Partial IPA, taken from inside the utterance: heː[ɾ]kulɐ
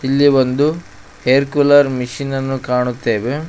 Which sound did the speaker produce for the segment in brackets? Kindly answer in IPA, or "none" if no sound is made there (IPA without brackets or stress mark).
ɾ